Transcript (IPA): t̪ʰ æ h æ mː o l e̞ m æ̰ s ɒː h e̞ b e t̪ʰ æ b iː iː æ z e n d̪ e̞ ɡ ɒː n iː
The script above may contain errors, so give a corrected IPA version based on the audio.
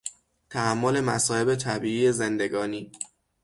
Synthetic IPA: t̪ʰ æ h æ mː o l e̞ m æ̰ s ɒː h e̞ b e t̪ʰ æ b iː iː e z e n d̪ e̞ ɡ ɒː n iː